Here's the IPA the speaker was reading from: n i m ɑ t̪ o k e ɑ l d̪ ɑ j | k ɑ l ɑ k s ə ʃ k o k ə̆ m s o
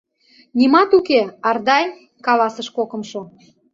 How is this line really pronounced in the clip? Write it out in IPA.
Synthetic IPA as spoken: n i m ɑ t̪ u k e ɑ r d̪ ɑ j | k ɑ l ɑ s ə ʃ k o k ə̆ m ʃ o